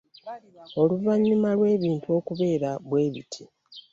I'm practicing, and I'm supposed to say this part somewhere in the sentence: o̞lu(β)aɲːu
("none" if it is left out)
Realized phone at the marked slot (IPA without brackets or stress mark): v